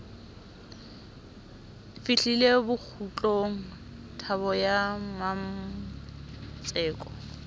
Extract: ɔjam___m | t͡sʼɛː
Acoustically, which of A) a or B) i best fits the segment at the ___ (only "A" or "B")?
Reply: A